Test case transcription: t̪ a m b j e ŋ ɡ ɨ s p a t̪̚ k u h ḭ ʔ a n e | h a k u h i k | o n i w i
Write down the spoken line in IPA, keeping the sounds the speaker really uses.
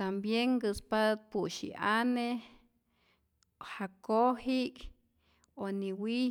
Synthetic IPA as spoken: t̪ a m b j e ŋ ɡ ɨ s p a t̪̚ p u ʃ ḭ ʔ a n e | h a k o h i k | o n i w i